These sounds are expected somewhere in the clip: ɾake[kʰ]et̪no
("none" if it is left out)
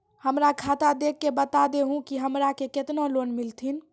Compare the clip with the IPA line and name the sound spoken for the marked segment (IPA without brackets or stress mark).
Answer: k